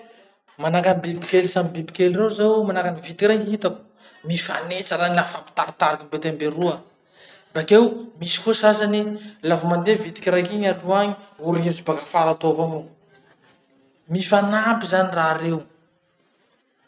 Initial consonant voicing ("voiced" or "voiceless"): voiced